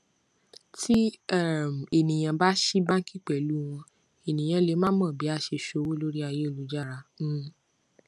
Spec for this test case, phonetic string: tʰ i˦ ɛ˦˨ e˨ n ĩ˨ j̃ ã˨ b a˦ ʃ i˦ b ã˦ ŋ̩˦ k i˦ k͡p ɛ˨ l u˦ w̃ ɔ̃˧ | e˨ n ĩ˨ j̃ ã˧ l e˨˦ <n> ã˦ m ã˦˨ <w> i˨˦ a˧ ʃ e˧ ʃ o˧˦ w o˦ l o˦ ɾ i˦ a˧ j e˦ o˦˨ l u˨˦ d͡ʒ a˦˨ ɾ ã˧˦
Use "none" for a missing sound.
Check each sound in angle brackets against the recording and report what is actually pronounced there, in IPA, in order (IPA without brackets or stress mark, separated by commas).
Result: m, b